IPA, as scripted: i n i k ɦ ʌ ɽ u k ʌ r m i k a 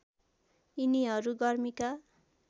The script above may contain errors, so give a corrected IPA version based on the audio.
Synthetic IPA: i n i ɦ ʌ ɾ u ɡ ʌ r m i k a